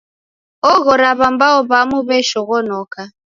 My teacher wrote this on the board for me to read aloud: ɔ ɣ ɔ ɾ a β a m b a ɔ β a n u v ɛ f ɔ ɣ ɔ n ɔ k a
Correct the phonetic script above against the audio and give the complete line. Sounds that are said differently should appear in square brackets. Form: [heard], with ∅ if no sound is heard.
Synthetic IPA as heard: ɔ ɣ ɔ ɾ a β a m b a ɔ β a [m] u [β] ɛ [ʃ] ɔ ɣ ɔ n ɔ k a